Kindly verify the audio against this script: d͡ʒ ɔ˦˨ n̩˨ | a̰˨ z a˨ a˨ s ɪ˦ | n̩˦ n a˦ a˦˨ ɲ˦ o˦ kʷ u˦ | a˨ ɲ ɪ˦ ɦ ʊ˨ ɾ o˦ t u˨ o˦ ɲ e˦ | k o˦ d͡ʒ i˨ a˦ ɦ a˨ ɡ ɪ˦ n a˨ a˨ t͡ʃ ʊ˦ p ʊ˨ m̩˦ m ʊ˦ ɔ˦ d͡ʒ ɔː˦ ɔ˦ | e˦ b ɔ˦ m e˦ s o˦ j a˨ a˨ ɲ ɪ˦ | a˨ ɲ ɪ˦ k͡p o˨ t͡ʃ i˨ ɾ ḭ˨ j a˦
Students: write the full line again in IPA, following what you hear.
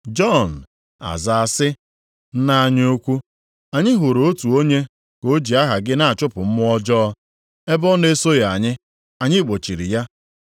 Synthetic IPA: d͡ʒ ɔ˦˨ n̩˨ | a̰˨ z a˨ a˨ s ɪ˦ | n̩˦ n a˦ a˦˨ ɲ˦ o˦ kʷ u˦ | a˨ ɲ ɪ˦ ɦ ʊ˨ ɾ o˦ t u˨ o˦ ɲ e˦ | k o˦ d͡ʒ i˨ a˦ ɦ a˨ ɡ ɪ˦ n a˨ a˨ t͡ʃ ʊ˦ p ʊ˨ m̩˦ m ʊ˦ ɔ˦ d͡ʒ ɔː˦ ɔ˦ | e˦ b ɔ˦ n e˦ s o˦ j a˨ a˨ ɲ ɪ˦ | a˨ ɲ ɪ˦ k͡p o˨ t͡ʃ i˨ ɾ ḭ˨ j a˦